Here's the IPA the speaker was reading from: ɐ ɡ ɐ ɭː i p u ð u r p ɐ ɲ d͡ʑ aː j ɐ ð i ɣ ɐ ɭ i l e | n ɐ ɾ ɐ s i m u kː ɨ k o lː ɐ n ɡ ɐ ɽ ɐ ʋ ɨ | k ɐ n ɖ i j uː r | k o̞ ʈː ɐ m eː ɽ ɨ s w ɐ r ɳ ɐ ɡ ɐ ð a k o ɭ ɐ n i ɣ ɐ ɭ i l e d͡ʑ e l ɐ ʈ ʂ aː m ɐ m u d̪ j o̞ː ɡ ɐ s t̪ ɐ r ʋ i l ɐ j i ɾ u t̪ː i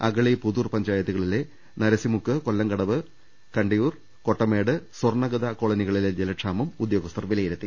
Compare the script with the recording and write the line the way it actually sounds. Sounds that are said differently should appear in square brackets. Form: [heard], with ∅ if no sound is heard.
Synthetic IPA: ɐ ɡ ɐ [ɭ] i p u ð u r p ɐ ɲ d͡ʑ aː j ɐ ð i ɣ ɐ ɭ i l e | n ɐ ɾ ɐ s i m u kː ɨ k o lː ɐ [ŋ] ɡ ɐ ɽ ɐ ʋ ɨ | k ɐ [ɳ] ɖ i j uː r | k o̞ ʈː ɐ m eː ɽ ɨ s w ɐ r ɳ ɐ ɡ ɐ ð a k o ɭ ɐ n i ɣ ɐ ɭ i l e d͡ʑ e l ɐ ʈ ʂ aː m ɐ m u d̪ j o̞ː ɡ ɐ s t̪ ɐ r ʋ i l ɐ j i ɾ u t̪ː i